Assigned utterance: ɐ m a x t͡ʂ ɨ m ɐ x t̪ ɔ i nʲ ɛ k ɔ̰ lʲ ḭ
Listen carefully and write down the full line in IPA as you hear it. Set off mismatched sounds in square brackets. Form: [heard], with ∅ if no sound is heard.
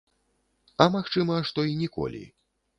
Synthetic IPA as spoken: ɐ m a x t͡ʂ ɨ m ɐ [ʂ] t̪ ɔ i nʲ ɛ k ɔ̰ lʲ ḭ

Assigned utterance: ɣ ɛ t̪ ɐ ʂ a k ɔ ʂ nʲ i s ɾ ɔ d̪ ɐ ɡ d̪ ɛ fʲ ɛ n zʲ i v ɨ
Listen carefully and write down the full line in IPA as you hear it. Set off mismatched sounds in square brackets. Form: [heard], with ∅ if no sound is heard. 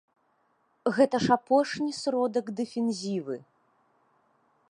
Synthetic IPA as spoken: ɣ ɛ t̪ ɐ ʂ a [p] ɔ ʂ nʲ i s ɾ ɔ d̪ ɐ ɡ d̪ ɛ fʲ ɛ n zʲ i v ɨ

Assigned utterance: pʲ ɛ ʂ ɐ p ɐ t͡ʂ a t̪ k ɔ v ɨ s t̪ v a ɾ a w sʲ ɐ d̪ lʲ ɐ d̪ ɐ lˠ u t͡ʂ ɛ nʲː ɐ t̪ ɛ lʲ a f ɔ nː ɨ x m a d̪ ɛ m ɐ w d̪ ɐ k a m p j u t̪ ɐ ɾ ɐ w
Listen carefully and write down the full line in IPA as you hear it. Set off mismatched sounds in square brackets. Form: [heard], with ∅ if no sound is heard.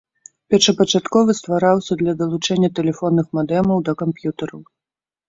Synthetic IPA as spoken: pʲ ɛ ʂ ɐ p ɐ t͡ʂ a t̪ k ɔ v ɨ s t̪ v a ɾ a w sʲ ɐ d̪ lʲ ɐ d̪ ɐ lˠ u t͡ʂ ɛ nʲː ɐ t̪ ɛ lʲ [ɛ] f ɔ nː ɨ x m a d̪ ɛ m ɐ w d̪ ɐ k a m p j u t̪ ɐ ɾ ɐ w

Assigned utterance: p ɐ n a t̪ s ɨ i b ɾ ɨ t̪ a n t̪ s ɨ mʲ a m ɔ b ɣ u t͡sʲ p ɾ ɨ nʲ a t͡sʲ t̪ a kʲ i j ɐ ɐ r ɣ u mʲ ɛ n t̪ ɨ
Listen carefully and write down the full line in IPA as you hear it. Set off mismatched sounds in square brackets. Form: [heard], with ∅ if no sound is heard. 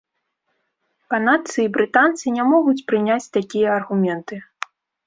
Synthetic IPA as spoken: p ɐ n a t̪ s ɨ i b ɾ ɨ t̪ a n t̪ s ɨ [nʲ] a m ɔ [∅] ɣ u t͡sʲ p ɾ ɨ nʲ a t͡sʲ t̪ a kʲ i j ɐ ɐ r ɣ u mʲ ɛ n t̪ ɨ

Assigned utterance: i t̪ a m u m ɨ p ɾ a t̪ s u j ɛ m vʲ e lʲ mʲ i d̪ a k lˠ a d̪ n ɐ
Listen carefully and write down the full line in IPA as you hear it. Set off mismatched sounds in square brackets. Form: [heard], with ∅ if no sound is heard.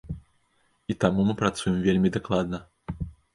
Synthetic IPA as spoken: i t̪ a m u m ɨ p ɾ a t̪ s u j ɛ m vʲ e lʲ mʲ i d̪ a k lˠ a d̪ n ɐ

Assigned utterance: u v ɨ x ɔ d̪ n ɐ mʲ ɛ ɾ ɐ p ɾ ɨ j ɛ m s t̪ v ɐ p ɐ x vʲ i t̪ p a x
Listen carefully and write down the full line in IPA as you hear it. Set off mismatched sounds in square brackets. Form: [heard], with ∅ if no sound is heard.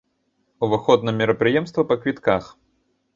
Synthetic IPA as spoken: u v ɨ x ɔ d̪ n ɐ mʲ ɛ ɾ ɐ p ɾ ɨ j ɛ m s t̪ v ɐ p ɐ [k] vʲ i t̪ [k] a x

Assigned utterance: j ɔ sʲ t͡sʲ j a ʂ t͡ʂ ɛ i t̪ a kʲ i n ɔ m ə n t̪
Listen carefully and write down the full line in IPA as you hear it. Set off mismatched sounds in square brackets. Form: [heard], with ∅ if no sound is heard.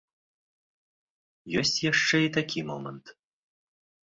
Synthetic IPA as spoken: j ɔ sʲ t͡sʲ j a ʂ t͡ʂ ɛ i t̪ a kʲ i [m] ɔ m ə n t̪

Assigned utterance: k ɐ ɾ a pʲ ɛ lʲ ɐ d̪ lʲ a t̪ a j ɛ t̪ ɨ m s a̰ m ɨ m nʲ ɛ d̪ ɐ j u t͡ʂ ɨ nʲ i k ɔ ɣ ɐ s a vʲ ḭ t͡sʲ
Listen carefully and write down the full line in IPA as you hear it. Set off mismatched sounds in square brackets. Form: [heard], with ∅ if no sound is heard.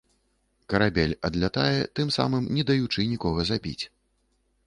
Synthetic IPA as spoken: k ɐ ɾ a [bʲ] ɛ lʲ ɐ d̪ lʲ a t̪ a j ɛ t̪ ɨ m s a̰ m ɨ m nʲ ɛ d̪ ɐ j u t͡ʂ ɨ nʲ i k ɔ ɣ ɐ [z] a [bʲ] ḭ t͡sʲ

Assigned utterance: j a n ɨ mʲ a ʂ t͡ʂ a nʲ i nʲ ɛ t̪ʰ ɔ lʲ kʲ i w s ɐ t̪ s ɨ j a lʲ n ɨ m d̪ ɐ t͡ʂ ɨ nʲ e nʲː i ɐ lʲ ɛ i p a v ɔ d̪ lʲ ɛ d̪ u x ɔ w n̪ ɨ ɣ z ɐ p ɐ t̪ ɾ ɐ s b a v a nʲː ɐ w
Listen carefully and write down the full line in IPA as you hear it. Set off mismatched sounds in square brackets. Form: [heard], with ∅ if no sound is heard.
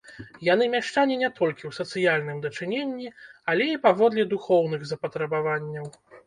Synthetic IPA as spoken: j a n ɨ mʲ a ʂ t͡ʂ a nʲ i nʲ ɛ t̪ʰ ɔ lʲ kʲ i w s ɐ t̪ s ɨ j a lʲ n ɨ m d̪ ɐ t͡ʂ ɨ nʲ e nʲː i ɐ lʲ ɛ i p a v ɔ d̪ lʲ ɛ d̪ u x ɔ w n̪ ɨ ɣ z ɐ p ɐ t̪ ɾ ɐ [∅] b a v a nʲː ɐ w

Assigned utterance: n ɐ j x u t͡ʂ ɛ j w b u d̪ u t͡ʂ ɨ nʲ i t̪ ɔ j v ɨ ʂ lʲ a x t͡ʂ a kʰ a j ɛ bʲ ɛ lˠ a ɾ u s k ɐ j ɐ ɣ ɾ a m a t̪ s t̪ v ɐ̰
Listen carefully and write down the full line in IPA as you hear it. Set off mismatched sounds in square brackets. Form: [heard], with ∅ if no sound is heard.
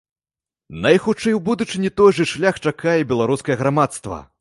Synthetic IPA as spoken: n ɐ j x u t͡ʂ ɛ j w b u d̪ u t͡ʂ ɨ nʲ i t̪ ɔ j [ʐ] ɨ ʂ lʲ a x t͡ʂ a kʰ a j ɛ bʲ ɛ lˠ a ɾ u s k ɐ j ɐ ɣ ɾ a m a t̪ s t̪ v ɐ̰

